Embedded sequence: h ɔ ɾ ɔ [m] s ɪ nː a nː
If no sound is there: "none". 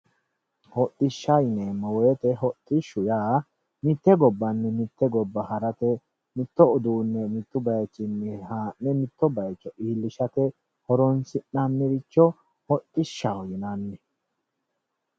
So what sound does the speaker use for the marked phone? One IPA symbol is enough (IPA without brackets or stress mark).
n